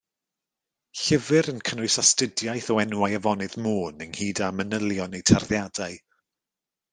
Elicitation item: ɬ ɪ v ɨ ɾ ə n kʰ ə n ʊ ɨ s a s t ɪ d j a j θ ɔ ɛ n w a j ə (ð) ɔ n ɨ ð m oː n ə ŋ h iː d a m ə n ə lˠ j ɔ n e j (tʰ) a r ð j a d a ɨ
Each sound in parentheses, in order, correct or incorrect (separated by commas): incorrect, correct